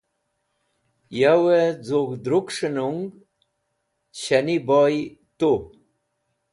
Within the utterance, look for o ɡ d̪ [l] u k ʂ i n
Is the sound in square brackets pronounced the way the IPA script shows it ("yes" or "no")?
no